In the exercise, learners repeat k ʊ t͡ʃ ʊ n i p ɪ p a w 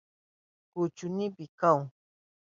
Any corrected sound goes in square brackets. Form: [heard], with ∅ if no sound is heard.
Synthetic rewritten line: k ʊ t͡ʃ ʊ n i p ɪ [k] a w